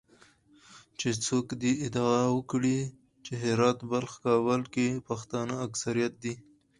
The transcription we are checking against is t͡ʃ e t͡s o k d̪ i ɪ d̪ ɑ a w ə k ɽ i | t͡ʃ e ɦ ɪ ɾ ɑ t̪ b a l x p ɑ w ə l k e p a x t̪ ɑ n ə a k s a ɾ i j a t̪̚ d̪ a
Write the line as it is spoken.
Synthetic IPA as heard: t͡ʃ e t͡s o k d̪ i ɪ d̪ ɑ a w ə k ɽ i | t͡ʃ e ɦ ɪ ɾ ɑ t̪ b a l x k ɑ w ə l k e p a x t̪ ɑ n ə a k s a ɾ i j a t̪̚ d̪ i